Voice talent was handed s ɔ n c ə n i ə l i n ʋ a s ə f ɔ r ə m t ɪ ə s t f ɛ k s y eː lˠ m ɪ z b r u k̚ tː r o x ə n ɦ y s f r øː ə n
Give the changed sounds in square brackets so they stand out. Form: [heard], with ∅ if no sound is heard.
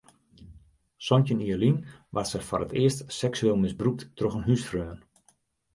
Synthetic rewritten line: s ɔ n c ə n i ə l i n ʋ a s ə f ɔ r ə [∅] t ɪ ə s t [s] ɛ k s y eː lˠ m ɪ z b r u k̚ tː r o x ə n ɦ y s f r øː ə n